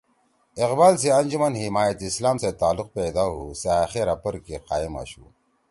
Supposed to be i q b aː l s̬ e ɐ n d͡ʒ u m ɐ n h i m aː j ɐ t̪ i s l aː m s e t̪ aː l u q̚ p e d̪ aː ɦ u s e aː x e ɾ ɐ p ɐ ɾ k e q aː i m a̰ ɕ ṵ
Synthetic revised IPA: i q b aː l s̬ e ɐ n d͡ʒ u m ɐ n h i m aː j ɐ t̪ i s l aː m s e t̪ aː l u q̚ p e d̪ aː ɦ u s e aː x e ɾ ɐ p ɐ ɾ k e q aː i m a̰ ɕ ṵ